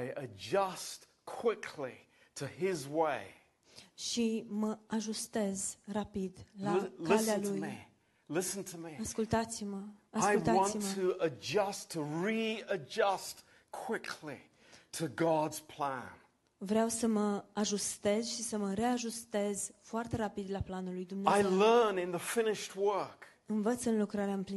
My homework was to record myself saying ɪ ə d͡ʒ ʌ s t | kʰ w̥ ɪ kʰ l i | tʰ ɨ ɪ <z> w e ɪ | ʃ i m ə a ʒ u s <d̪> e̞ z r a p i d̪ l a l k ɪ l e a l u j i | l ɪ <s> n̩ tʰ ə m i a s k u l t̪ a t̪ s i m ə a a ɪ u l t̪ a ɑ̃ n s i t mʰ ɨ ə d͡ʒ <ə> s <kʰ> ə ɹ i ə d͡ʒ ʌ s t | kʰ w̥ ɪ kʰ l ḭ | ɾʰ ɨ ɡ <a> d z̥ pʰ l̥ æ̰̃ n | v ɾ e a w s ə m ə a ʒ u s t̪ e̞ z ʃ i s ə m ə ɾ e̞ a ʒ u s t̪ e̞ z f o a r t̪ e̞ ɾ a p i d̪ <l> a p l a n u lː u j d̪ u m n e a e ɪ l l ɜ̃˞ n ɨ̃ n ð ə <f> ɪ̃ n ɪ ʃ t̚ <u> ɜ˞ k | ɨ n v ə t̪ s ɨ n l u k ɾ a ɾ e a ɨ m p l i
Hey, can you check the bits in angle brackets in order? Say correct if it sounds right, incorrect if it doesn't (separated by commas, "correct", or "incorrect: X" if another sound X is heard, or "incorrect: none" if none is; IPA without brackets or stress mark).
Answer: correct, incorrect: t̪, correct, incorrect: ʌ, incorrect: tʰ, incorrect: ɑ, correct, correct, incorrect: w